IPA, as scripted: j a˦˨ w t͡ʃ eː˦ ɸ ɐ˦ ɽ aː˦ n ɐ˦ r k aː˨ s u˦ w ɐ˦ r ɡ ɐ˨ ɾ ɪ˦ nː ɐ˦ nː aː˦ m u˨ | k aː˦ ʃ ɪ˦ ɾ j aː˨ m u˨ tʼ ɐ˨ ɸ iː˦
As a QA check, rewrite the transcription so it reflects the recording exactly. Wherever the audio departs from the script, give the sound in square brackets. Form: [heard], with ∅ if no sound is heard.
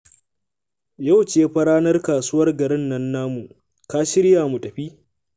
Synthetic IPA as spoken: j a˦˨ w t͡ʃ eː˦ ɸ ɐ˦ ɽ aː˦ n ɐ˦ r k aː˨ s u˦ w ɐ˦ r ɡ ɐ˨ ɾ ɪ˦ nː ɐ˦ nː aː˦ m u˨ | k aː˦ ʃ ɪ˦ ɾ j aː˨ m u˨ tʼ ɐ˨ ɸ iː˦

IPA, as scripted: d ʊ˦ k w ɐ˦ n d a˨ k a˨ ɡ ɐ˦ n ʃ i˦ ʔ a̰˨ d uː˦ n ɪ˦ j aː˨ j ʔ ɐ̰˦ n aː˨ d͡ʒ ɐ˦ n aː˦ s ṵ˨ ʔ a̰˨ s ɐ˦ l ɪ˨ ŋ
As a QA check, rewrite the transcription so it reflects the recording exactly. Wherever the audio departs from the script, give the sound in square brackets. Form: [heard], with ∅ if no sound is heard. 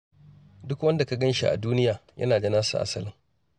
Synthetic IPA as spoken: d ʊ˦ k w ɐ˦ n d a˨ k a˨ ɡ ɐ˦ n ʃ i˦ ʔ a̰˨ d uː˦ n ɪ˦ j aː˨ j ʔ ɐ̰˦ n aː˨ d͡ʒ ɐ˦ n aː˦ s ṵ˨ ʔ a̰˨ s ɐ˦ l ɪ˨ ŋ

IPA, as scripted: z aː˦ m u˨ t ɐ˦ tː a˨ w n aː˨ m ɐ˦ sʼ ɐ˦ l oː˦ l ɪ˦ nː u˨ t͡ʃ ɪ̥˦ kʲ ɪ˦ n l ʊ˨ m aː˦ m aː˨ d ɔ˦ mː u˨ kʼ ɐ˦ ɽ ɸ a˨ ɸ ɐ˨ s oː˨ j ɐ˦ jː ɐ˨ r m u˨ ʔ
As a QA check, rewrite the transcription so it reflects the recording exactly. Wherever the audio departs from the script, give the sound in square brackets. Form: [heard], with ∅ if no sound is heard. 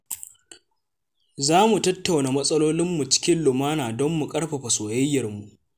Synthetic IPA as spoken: z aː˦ m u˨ t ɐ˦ tː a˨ w n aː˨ m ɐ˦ sʼ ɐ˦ l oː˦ l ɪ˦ [mː] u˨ t͡ʃ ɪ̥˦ kʲ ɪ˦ n l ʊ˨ m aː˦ [n] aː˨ d ɔ˦ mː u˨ kʼ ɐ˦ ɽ ɸ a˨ ɸ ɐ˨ s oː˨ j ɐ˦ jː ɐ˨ r m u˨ ʔ

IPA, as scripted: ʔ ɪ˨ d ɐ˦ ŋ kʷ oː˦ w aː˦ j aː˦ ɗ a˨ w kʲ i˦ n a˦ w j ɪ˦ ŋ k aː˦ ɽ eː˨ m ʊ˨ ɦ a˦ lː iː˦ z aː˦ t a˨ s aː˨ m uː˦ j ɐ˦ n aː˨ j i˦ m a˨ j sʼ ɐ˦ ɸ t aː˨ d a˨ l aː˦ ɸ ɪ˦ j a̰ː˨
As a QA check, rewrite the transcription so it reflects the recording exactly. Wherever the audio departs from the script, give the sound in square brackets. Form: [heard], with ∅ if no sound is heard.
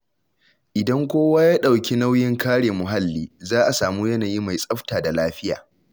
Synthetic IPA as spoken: ʔ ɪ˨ d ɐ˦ ŋ kʷ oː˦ w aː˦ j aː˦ ɗ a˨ w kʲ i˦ n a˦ w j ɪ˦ ŋ k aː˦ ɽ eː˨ m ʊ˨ ɦ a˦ lː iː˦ z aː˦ [ʔ] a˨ s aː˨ m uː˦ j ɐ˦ n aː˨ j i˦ m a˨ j sʼ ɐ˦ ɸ t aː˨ d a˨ l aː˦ ɸ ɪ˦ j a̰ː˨

